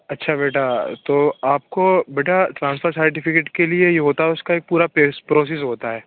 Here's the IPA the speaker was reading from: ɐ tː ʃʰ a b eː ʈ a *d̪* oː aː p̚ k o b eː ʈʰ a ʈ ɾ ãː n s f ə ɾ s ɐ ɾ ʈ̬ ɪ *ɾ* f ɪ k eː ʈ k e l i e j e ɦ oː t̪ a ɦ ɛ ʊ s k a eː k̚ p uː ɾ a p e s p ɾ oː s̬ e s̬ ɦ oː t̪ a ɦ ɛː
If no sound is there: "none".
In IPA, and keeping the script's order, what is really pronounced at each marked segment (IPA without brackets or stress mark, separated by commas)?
t̪, none